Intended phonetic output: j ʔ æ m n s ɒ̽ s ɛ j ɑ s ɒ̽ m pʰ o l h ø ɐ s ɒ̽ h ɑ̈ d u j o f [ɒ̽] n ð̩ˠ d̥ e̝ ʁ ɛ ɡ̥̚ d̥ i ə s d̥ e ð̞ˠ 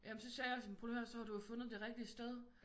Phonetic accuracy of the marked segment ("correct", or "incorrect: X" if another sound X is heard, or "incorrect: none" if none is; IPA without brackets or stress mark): incorrect: ɔ̽